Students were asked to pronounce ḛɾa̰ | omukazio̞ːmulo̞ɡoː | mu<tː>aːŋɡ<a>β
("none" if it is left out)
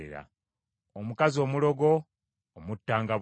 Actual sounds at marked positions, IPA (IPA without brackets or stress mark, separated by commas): tː, a